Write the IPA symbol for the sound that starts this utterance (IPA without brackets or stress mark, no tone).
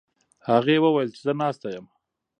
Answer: h